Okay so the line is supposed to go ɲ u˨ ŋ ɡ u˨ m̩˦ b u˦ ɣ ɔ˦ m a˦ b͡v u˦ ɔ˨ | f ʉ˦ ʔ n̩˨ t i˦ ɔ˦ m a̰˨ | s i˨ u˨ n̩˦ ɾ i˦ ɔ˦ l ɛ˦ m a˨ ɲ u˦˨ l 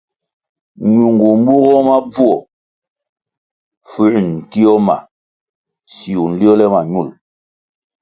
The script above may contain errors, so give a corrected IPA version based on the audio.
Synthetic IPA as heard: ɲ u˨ ŋ ɡ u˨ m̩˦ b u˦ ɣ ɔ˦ m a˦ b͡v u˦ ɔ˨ | f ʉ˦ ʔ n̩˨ t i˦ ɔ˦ m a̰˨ | s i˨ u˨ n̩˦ l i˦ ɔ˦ l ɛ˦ m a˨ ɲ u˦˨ l